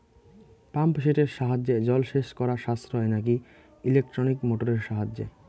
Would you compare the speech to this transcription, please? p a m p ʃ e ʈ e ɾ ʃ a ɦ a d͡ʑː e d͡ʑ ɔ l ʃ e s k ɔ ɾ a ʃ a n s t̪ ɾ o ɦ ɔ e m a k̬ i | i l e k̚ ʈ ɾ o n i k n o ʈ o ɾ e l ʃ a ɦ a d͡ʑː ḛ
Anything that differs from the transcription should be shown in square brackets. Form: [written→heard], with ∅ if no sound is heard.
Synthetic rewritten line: p a m p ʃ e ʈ e ɾ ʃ a ɦ a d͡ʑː e d͡ʑ ɔ l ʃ e [s→ʃ] k ɔ ɾ a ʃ a [n→∅] s t̪ ɾ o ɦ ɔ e [m→n] a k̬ i | i l e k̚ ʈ ɾ o n i k [n→m] o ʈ o ɾ e [l→ɾ] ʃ a ɦ a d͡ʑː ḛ

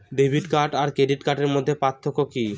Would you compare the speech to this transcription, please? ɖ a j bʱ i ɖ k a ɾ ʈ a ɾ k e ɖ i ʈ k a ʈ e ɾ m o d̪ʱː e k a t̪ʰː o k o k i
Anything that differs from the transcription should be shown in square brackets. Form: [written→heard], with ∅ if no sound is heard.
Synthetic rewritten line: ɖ [a→e] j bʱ i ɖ k a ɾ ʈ a ɾ k e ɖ i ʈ k a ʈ e ɾ m o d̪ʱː e [k→p] a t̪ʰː o k o k i

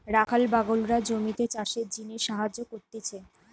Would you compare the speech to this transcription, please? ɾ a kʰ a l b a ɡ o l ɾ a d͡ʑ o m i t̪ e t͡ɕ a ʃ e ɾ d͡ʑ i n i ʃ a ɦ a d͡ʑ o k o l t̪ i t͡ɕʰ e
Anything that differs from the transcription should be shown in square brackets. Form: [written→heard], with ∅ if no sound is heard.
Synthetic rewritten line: ɾ a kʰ a l b a ɡ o l ɾ a d͡ʑ o m i t̪ e t͡ɕ a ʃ e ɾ d͡ʑ i n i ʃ a ɦ a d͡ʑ o k o [l→ɾ] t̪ i t͡ɕʰ e

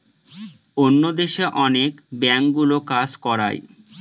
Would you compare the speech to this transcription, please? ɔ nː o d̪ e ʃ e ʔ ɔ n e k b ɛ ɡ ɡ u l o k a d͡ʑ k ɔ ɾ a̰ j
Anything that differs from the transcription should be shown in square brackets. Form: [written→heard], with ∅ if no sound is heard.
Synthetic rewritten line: [ɔ→o] nː o d̪ e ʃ e ʔ ɔ n e k b ɛ [ɡ→ŋ] ɡ u l o k a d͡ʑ k ɔ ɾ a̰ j

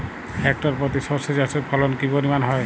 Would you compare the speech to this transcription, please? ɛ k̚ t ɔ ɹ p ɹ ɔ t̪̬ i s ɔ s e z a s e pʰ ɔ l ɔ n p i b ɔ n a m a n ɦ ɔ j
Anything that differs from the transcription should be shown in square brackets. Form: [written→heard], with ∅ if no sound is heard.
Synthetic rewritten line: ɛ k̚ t ɔ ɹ p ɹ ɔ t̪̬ i s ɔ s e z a s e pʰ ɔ l ɔ n [p→k] i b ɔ n [a→i] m a n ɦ ɔ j

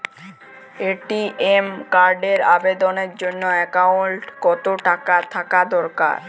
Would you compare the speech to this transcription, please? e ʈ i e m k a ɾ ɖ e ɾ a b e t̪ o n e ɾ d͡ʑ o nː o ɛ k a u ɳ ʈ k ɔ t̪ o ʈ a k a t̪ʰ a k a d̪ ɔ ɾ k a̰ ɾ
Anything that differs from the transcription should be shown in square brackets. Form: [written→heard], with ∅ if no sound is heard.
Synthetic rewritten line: e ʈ i e m k a ɾ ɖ e ɾ a b e [t̪→d̪] o n e ɾ d͡ʑ o nː o ɛ k a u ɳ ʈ k ɔ t̪ o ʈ a k a t̪ʰ a k a d̪ ɔ ɾ k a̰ ɾ

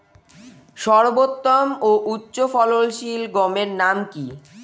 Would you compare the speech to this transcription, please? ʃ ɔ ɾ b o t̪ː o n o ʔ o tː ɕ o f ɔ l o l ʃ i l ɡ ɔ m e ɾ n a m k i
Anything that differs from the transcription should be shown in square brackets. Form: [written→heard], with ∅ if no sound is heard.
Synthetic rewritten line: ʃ ɔ ɾ b o t̪ː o [n→m] o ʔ [o→u] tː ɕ o f ɔ l o l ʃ i l ɡ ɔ m e ɾ n a m k i

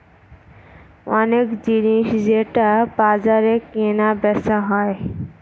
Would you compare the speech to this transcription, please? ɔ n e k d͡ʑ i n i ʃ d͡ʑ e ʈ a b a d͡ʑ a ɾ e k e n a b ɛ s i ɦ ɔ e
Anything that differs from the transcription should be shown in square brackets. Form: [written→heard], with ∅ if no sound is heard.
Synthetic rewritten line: ɔ n e k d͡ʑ i n i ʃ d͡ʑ e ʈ a b a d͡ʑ a ɾ e k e n a b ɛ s [i→a] ɦ ɔ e

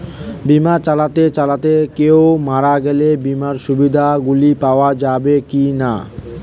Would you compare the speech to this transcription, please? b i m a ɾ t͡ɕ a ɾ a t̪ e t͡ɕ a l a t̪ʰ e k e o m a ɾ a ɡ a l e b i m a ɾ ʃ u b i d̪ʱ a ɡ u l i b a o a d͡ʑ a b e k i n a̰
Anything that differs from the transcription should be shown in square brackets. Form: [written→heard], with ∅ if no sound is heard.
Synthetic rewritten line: b i m a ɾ t͡ɕ a [ɾ→l] a t̪ e t͡ɕ a l a [t̪ʰ→t̪] e k e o m a ɾ a ɡ [a→ɛ] l e b i m a ɾ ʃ u b i d̪ʱ a ɡ u l i [b→p] a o a d͡ʑ a b e k i n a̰

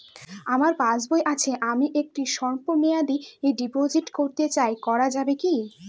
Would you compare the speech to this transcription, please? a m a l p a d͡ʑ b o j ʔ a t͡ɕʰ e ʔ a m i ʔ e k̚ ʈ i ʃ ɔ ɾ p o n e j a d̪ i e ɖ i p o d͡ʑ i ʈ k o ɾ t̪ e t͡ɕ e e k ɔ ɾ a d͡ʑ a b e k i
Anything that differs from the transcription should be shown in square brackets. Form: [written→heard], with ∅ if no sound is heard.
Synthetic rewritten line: a m a [l→ɾ] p a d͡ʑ b o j ʔ a t͡ɕʰ e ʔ a m i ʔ e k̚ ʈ i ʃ ɔ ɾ p o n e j a d̪ i e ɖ i p o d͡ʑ i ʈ k o ɾ t̪ e t͡ɕ [e→a] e k ɔ ɾ a d͡ʑ a b e k i

